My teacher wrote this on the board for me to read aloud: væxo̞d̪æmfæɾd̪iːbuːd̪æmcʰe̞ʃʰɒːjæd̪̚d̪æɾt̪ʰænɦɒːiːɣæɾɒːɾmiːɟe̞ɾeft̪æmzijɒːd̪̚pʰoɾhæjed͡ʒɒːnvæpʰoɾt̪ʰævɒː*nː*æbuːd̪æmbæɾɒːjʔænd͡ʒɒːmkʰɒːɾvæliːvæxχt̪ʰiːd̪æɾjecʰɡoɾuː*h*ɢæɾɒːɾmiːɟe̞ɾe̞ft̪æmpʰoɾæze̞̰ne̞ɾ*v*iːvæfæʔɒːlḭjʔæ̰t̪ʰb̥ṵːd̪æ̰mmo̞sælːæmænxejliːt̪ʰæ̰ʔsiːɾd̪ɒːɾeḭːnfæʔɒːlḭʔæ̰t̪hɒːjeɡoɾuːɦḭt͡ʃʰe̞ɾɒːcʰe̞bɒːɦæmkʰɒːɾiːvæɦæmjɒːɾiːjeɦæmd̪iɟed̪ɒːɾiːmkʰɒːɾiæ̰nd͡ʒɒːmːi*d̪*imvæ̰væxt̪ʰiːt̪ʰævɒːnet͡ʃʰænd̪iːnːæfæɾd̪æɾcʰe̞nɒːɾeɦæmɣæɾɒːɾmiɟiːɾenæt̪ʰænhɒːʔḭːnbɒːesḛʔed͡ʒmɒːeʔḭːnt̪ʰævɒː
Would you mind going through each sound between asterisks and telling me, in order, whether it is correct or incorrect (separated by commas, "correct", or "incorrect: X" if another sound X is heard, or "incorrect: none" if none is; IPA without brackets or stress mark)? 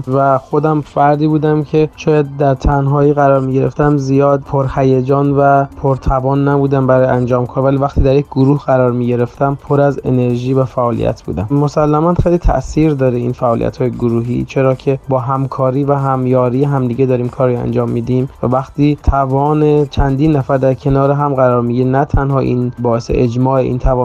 correct, correct, incorrect: ʒ, correct